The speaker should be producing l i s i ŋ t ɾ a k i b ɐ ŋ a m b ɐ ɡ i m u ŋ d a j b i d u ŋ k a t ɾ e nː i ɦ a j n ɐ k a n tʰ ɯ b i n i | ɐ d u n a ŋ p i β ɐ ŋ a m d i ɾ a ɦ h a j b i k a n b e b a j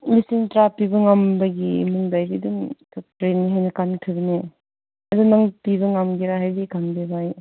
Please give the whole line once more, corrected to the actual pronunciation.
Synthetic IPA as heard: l i s i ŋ t ɾ a p i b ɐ ŋ a m b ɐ ɡ i m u ŋ d a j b i d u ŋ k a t ɾ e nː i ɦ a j n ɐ k a n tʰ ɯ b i n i | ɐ d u n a ŋ p i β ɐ ŋ a m ɡ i ɾ a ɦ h a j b i k a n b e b a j